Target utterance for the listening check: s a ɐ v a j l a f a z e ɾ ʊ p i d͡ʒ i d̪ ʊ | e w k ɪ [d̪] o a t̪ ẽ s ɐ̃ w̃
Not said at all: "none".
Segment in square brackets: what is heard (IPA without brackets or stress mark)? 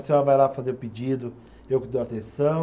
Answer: d̪